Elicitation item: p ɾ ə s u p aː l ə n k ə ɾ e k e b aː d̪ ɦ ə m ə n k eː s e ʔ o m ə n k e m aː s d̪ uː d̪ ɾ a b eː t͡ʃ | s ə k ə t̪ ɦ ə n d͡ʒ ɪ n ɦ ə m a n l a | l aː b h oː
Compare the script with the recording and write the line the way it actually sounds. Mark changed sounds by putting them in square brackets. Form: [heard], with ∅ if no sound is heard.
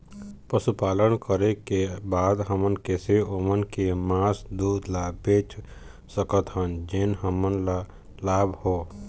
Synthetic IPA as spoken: p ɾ ə s u p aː l ə n k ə ɾ e k e b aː d̪ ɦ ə m ə n k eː s e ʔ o m ə n k e m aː s d̪ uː d̪ [l] a b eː t͡ʃ | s ə k ə t̪ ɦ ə n d͡ʒ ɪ n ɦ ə m [ə] n l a | l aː b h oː

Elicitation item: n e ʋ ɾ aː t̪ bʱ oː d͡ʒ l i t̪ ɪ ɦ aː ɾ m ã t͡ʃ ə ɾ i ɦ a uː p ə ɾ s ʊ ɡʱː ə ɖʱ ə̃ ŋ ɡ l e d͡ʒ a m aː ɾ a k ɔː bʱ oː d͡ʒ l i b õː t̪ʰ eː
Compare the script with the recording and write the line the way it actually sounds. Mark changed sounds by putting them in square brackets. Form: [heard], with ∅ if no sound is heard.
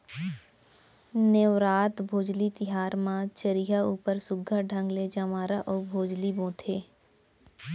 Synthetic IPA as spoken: n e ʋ ɾ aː t̪ bʱ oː d͡ʒ l i t̪ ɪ ɦ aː ɾ m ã t͡ʃ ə ɾ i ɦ a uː p ə ɾ s ʊ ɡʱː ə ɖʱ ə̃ ŋ ɡ l e d͡ʒ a m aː ɾ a [ʔ] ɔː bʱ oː d͡ʒ l i b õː t̪ʰ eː

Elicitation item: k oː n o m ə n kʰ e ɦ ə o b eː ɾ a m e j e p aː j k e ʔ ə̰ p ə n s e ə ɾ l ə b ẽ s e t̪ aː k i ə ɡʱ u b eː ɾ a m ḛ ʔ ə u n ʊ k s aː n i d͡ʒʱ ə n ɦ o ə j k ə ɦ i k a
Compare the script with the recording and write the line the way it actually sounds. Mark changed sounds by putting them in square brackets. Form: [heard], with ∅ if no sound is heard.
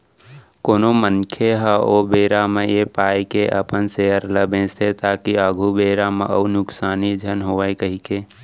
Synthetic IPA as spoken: k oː n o m ə n kʰ e ɦ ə o b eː ɾ a m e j e p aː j k e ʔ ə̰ p ə n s e ə ɾ l ə b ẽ s e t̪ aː k i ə ɡʱ u b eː ɾ a m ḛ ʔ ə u n ʊ k s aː n i d͡ʒʱ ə n ɦ o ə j k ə ɦ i k [e]

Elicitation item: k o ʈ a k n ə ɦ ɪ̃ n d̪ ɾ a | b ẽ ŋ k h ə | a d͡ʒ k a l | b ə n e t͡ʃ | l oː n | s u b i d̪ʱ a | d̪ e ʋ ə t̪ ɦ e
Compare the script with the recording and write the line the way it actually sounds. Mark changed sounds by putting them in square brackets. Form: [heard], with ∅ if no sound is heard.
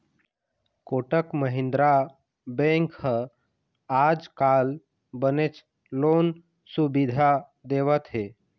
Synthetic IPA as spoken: k o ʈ [ə] k [m] ə ɦ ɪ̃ n d̪ ɾ a | b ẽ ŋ k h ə | a d͡ʒ k a l | b ə n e t͡ʃ | l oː n | s u b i d̪ʱ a | d̪ e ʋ ə t̪ ɦ e

